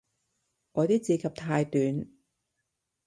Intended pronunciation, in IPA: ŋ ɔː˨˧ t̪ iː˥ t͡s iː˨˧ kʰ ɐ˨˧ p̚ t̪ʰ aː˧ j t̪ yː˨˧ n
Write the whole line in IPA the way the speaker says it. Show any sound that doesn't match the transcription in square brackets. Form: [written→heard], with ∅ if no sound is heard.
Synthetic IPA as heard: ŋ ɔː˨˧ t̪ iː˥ t͡s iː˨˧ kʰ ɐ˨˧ p̚ t̪ʰ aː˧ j t̪ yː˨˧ n